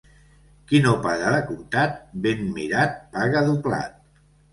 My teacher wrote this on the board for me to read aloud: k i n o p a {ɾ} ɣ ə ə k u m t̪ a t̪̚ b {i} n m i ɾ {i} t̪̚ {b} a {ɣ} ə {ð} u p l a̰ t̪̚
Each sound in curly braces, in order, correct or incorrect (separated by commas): incorrect, incorrect, incorrect, incorrect, correct, correct